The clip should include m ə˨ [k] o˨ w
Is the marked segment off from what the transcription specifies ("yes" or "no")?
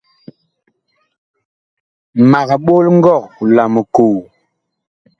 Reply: no